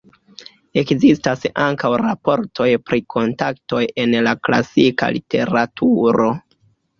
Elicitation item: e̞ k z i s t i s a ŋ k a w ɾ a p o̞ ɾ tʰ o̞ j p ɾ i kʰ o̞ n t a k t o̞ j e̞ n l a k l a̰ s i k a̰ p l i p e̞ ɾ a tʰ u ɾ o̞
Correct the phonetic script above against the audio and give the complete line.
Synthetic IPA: e̞ k z i s t a s a ŋ k a w ɾ a p o̞ ɾ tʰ o̞ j p ɾ i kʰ o̞ n t a k t o̞ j e̞ n l a k l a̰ s i k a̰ l i t e̞ ɾ a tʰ u ɾ o̞